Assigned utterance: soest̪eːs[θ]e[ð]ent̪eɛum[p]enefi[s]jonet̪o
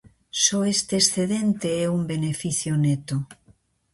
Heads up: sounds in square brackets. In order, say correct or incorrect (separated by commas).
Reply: correct, correct, incorrect, incorrect